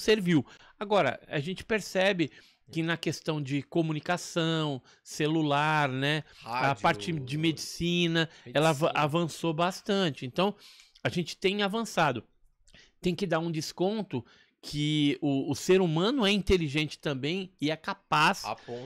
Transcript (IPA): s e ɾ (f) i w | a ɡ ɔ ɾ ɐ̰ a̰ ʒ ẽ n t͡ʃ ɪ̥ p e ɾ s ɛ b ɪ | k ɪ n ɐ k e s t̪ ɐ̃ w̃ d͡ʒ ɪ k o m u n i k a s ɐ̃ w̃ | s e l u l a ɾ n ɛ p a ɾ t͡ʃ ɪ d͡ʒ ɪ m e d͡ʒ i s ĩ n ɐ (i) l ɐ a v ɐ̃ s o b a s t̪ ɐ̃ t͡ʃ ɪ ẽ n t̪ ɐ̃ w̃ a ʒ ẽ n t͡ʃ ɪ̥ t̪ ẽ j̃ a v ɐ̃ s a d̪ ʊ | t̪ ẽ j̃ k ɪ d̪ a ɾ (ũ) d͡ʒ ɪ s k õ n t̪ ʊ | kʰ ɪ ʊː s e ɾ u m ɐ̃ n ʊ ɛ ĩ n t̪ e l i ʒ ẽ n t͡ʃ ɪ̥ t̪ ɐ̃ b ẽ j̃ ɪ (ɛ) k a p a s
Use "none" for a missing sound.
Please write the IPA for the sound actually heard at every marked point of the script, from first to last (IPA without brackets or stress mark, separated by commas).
v, ɛ, ũ, ɛ